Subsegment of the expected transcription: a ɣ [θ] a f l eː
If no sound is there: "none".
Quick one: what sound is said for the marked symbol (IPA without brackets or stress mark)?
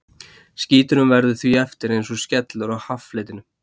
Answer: h